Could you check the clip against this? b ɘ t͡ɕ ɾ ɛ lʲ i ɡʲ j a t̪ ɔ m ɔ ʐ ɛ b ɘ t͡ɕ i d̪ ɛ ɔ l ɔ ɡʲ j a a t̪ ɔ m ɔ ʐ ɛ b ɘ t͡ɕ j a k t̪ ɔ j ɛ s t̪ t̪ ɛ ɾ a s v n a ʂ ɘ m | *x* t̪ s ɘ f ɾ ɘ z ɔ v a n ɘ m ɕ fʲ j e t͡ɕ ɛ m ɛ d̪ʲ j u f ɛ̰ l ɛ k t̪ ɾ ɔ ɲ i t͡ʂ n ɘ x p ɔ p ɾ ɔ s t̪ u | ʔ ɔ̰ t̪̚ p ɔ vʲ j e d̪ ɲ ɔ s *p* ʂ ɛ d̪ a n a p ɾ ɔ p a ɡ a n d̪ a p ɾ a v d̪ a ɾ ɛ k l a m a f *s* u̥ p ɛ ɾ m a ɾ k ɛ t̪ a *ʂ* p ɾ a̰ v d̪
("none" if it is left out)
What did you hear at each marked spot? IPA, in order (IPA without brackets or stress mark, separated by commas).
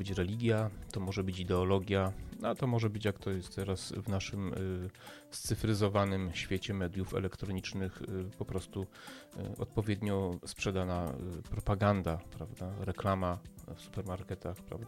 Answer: s, p, s, x